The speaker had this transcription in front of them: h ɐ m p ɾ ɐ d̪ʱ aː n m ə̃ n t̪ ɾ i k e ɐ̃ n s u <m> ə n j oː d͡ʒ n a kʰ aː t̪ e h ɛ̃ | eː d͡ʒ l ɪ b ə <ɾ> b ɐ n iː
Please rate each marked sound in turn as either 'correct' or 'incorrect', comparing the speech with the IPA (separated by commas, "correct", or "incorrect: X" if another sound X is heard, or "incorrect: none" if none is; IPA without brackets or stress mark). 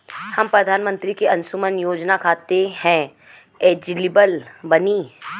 correct, incorrect: l